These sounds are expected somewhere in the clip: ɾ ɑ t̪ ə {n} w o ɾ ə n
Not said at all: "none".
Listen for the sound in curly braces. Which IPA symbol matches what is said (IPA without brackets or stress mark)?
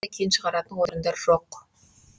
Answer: n